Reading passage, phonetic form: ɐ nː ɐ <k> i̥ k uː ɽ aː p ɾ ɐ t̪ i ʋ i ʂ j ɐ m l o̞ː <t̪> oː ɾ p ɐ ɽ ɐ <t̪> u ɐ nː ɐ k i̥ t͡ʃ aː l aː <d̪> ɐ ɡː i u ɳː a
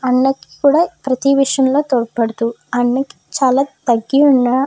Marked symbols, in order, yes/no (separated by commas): yes, yes, yes, no